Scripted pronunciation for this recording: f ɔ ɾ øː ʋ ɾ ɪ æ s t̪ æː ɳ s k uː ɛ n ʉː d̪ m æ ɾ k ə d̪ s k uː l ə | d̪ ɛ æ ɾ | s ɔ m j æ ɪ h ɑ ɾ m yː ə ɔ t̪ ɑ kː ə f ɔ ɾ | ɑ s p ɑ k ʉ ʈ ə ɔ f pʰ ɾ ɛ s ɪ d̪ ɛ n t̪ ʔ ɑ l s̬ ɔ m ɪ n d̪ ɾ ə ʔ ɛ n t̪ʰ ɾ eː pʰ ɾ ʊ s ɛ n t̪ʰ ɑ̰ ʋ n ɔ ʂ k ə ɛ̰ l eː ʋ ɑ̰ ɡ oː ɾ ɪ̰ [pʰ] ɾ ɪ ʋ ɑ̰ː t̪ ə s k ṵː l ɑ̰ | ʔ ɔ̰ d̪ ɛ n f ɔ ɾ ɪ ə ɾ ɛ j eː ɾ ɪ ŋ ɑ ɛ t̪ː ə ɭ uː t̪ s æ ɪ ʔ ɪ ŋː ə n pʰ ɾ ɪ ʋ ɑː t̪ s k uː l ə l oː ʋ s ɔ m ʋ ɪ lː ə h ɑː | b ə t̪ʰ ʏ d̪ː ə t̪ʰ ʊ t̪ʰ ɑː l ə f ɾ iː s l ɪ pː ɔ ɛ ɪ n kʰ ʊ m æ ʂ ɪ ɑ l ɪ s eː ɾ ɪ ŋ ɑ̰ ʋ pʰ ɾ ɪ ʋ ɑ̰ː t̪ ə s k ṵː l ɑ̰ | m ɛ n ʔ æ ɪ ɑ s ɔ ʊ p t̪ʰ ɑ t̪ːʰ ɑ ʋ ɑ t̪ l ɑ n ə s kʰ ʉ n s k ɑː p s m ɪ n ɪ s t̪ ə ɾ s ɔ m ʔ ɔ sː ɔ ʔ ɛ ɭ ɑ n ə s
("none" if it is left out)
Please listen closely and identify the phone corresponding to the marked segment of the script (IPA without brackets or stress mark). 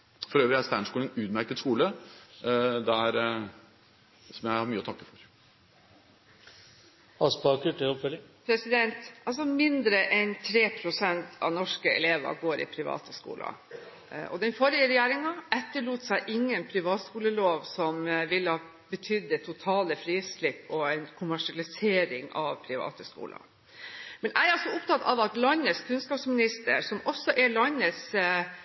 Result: pʰ